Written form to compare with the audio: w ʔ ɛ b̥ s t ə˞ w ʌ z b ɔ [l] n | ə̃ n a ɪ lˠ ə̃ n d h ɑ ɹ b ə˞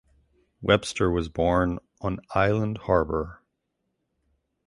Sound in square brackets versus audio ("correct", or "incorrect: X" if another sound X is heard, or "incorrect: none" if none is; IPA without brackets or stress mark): incorrect: ɹ